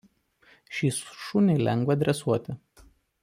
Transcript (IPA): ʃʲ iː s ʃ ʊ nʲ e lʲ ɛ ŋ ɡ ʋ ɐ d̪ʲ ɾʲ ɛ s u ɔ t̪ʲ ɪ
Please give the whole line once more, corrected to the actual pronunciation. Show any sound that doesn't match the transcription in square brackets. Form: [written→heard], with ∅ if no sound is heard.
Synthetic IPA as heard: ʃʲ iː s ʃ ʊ nʲ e lʲ ɛ ŋ ɡ ʋ ɐ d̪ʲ ɾʲ ɛ s u ɔ t̪ʲ ɪ